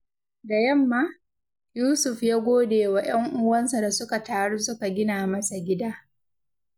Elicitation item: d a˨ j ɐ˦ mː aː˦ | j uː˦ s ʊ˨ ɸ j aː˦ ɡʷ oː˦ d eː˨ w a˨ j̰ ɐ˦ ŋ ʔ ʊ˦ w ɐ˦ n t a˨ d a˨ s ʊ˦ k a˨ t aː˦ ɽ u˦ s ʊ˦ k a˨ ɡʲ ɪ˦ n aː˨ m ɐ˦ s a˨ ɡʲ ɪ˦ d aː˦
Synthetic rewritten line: d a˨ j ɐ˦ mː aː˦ | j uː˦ s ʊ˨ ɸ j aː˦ ɡʷ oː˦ d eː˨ w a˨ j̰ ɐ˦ ŋ ʔ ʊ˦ w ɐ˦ n s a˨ d a˨ s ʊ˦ k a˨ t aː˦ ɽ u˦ s ʊ˦ k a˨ ɡʲ ɪ˦ n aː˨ m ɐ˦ s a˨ ɡʲ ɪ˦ d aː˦